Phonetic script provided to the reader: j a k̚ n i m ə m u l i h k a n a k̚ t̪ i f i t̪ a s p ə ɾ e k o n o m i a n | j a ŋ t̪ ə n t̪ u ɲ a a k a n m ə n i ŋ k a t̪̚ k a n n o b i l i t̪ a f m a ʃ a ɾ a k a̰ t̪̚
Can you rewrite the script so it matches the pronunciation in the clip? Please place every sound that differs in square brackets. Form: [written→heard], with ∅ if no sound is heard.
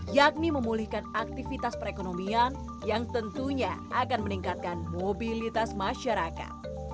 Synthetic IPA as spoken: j a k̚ n i m ə m u l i h k a n a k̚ t̪ i f i t̪ a s p ə ɾ e k o n o m i a n | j a ŋ t̪ ə n t̪ u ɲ a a k a n m ə n i ŋ k a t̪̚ k a n [n→m] o b i l i t̪ a [f→s] m a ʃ a ɾ a k a̰ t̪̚